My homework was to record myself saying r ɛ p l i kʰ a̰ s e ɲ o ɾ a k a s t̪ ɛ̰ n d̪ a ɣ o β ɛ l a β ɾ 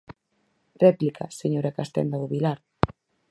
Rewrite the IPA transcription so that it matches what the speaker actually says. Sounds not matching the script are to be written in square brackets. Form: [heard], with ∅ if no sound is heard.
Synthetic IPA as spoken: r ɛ p l i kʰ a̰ s e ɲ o ɾ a k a s t̪ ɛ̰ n d̪ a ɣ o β [i] l a [∅] ɾ